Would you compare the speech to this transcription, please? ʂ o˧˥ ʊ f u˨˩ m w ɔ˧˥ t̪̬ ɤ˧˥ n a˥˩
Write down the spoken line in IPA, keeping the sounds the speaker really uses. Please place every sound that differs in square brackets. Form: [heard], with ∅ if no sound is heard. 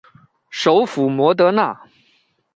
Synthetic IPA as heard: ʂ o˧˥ ʊ f u˨˩ m w ɔ˧˥ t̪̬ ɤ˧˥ n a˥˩